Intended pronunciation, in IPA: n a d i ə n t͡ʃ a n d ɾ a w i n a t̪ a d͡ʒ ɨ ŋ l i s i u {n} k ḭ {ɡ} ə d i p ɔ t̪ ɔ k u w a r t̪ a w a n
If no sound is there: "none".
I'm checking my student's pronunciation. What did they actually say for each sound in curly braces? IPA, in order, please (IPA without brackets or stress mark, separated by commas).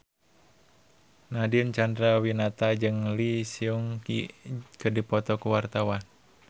ŋ, k